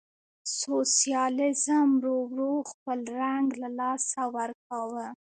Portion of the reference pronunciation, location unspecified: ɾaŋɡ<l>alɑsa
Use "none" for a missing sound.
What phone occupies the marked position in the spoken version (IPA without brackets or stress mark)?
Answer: l